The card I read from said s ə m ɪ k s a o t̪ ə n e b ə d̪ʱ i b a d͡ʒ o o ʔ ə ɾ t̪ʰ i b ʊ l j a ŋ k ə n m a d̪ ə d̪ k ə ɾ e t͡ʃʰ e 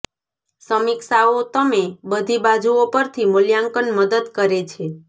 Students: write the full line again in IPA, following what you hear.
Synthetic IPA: s ə m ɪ k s a o t̪ ə m e b ə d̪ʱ i b a d͡ʒ u o p ə ɾ t̪ʰ i m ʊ l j a ŋ k ə n m ə d̪ ə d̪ k ə ɾ e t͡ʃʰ e

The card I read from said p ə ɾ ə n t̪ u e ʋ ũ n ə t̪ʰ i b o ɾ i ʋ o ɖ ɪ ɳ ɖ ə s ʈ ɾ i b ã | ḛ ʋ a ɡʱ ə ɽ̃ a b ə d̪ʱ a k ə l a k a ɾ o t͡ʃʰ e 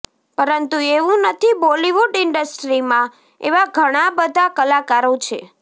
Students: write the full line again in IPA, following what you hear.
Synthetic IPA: p ə ɾ ə n t̪ u e ʋ ũ n ə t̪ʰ i b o l i ʋ u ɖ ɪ ɳ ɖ ə s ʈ ɾ i m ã | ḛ ʋ a ɡʱ ə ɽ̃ a b ə d̪ʱ a k ə l a k a ɾ o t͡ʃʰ e

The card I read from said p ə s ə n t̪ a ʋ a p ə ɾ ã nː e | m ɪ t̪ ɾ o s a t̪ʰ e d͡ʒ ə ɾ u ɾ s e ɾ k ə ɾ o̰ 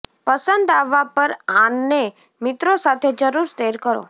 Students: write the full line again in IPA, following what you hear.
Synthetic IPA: p ə s ə n d̪ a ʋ a p ə ɾ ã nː e | m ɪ t̪ ɾ o s a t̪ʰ e d͡ʒ ə ɾ u ɾ s e ɾ k ə ɾ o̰

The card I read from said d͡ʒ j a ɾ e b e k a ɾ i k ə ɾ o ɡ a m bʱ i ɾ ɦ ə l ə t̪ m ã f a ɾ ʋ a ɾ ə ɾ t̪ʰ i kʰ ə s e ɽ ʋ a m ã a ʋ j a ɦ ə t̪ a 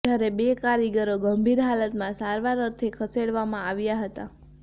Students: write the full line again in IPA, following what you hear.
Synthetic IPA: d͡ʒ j a ɾ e b e k a ɾ i ɡ ə ɾ o ɡ ə m bʱ i ɾ ɦ a l ə t̪ m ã s a ɾ ʋ a ɾ ə ɾ t̪ʰ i kʰ ə s e ɽ ʋ a m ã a ʋ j a ɦ ə t̪ a

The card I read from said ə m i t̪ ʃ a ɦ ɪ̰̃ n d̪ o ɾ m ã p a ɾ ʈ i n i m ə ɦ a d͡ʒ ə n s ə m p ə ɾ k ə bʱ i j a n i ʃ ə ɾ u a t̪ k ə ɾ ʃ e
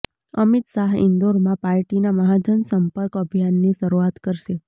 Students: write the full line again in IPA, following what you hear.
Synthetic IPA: ə m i t̪ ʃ a ɦ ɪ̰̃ n d̪ o ɾ m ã p a ɾ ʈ i n a m ə ɦ a d͡ʒ ə n s ə m p ə ɾ k ə bʱ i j a nː i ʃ ə ɾ u a t̪ k ə ɾ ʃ e

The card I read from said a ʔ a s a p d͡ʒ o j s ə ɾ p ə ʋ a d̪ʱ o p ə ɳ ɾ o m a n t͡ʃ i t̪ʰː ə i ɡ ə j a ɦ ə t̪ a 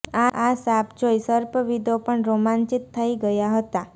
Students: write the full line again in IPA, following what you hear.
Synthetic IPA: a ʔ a s a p d͡ʒ o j s ə ɾ p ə ʋ i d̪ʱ o p ə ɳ ɾ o m a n t͡ʃ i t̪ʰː ə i ɡ ə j a ɦ ə t̪ a

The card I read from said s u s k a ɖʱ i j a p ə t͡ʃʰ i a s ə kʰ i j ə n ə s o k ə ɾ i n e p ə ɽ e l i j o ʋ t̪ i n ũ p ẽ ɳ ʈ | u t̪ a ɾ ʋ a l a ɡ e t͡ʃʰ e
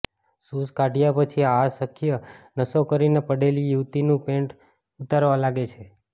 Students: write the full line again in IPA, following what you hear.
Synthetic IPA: s u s k a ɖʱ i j a p ə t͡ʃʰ i a s ə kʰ i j ə n ə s o k ə ɾ i n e p ə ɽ e l i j u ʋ t̪ i n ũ p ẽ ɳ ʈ | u t̪ a ɾ ʋ a l a ɡ e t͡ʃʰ e

